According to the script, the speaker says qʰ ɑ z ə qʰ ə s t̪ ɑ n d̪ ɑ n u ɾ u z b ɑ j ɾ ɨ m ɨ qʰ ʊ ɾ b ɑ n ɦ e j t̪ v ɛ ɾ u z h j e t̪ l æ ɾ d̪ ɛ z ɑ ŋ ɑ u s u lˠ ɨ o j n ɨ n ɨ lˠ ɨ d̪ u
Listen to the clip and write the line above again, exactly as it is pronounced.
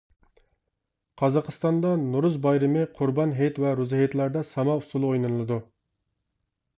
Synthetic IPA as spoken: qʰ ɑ z ɑ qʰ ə s t̪ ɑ n d̪ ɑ n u ɾ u z b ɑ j ɾ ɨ m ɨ qʰ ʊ ɾ b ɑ n ɦ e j t̪ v ɛ ɾ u z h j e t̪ l æ ɾ d̪ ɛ s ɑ m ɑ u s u lˠ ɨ o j n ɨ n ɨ lˠ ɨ d̪ u